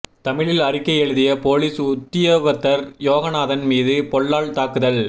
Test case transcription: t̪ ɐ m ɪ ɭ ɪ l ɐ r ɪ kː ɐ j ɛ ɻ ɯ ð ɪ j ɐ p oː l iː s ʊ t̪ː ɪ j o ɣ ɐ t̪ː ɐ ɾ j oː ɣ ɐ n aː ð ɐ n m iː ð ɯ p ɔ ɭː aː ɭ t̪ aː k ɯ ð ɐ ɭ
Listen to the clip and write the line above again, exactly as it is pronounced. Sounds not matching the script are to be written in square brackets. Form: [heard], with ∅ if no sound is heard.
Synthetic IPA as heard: t̪ ɐ m ɪ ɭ ɪ l ɐ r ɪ kː ɐ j ɛ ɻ ɯ ð ɪ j ɐ p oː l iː s ʊ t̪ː ɪ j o ɣ ɐ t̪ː ɐ ɾ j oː ɣ ɐ n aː ð ɐ n m iː ð ɯ p ɔ ɭː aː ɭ t̪ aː k ɯ ð ɐ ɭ